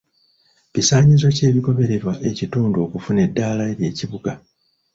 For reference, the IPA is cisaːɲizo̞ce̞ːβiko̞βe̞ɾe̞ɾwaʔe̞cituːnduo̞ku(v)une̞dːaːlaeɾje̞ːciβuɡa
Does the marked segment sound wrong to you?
yes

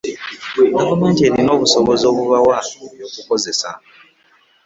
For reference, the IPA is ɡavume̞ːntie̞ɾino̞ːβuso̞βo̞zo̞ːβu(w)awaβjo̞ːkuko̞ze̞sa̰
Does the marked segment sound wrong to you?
yes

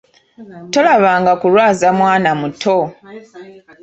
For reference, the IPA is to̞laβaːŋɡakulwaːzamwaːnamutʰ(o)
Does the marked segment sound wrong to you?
no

